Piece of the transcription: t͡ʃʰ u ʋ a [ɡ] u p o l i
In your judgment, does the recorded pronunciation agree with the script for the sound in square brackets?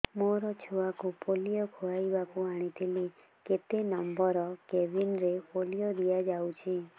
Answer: no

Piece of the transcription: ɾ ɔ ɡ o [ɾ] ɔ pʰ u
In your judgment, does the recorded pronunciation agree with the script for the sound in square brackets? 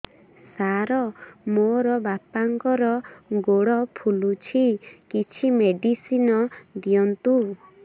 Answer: no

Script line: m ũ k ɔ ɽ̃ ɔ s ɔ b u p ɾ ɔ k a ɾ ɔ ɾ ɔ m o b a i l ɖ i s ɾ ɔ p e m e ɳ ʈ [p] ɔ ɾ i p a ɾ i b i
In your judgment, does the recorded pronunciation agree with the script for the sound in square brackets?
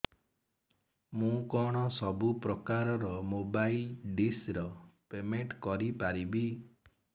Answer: no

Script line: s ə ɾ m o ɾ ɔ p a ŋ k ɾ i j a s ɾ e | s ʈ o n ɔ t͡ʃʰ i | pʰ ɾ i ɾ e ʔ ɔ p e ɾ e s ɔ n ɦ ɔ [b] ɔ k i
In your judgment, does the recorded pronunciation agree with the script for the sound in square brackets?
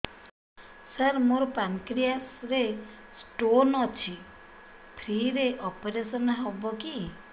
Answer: yes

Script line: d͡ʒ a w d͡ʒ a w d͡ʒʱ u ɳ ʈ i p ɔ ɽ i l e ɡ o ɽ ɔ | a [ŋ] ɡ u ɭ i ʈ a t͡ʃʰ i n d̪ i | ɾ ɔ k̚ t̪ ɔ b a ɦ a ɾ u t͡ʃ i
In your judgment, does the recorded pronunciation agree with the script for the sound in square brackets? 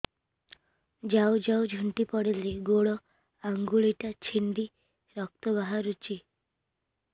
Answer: yes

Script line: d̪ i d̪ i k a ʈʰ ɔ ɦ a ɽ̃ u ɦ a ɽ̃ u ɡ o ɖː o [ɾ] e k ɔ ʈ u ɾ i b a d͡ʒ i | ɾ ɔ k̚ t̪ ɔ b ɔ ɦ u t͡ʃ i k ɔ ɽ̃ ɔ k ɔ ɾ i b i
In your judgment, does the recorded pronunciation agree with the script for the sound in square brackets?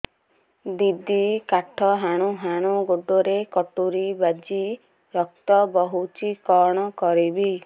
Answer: yes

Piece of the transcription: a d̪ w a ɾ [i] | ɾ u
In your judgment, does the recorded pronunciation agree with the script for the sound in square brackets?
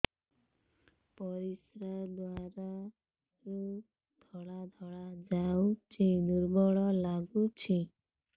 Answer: no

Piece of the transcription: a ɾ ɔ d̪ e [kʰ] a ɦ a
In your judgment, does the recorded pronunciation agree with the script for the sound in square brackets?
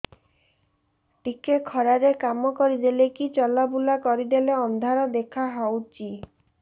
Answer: yes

